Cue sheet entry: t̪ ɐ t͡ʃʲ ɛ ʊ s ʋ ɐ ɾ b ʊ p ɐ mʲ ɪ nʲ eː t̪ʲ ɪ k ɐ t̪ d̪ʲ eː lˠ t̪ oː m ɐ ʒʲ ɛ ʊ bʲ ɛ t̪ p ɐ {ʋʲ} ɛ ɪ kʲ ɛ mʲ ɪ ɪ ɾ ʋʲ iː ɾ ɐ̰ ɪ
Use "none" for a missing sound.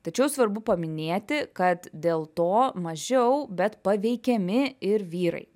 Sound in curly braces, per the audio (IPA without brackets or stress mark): ʋʲ